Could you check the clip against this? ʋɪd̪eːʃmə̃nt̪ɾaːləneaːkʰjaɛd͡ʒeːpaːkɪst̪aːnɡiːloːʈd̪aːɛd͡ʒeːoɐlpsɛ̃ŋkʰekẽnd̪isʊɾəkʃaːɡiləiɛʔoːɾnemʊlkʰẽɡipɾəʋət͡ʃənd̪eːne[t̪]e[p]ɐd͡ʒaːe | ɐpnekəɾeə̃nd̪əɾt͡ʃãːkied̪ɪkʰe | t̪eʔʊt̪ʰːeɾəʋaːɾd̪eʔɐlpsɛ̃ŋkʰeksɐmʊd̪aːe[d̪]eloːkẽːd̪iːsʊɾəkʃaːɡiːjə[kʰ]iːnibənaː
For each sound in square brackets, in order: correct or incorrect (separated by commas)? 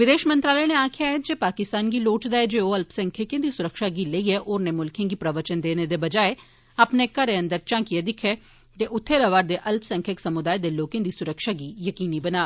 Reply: incorrect, incorrect, correct, incorrect